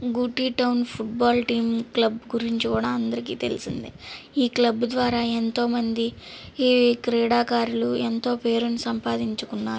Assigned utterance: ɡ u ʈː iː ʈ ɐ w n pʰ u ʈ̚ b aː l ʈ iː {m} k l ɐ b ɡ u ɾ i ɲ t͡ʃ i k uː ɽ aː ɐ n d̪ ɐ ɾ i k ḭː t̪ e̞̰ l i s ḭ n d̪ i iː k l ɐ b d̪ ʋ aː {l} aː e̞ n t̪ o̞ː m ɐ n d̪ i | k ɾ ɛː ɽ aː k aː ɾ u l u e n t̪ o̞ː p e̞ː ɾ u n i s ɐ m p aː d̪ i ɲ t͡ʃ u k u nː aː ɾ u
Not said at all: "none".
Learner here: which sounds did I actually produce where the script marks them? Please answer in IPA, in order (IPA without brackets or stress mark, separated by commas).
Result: m, ɾ